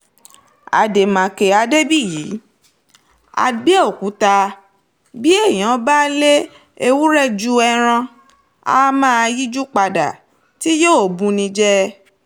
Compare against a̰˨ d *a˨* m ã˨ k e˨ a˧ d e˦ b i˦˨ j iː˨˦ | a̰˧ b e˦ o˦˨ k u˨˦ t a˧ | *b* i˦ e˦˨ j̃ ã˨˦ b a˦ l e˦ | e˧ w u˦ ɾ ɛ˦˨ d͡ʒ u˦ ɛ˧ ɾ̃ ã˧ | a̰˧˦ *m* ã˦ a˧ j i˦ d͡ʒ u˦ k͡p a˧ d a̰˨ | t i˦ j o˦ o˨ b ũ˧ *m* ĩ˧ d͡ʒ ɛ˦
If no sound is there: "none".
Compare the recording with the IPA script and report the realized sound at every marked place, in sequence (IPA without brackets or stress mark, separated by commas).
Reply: e˨, b, m, n